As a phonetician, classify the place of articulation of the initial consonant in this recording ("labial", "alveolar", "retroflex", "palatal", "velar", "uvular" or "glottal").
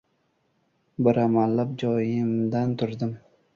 labial